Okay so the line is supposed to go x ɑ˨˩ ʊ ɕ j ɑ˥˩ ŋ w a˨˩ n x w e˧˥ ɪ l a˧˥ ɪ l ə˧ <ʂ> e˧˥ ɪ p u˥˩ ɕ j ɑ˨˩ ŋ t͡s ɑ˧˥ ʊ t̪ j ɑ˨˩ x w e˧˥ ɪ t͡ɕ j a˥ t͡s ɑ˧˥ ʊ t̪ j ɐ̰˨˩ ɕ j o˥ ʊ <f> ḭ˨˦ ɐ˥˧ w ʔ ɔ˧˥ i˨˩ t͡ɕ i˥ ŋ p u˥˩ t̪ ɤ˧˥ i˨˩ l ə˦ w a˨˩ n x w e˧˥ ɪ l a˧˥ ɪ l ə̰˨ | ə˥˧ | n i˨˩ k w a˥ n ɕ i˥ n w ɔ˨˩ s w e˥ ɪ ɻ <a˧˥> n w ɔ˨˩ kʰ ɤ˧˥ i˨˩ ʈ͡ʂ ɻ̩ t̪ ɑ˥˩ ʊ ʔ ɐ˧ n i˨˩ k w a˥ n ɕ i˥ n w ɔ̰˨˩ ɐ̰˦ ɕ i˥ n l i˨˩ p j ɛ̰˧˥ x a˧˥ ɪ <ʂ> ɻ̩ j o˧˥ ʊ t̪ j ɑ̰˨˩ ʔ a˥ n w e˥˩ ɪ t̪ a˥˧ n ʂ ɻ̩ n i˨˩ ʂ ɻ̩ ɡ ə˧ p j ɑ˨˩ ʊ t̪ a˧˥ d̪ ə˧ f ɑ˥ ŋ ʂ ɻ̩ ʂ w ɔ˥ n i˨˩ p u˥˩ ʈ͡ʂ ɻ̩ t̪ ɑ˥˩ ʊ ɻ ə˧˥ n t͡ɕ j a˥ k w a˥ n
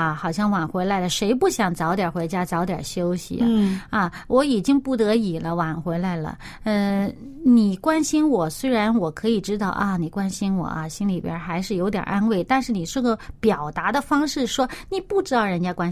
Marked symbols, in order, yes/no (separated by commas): yes, no, yes, yes